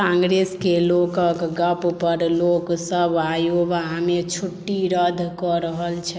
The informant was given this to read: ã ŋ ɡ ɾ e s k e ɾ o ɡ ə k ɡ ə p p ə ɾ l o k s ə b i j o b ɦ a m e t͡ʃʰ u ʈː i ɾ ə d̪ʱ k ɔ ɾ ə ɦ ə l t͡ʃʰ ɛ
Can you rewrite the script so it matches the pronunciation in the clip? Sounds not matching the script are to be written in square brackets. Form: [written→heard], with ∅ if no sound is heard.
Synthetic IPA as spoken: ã ŋ ɡ ɾ e s k e [ɾ→l] o [ɡ→k] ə k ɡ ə p p ə ɾ l o k s ə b [i→a] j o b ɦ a m e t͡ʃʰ u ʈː i ɾ ə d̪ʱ k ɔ ɾ ə ɦ ə l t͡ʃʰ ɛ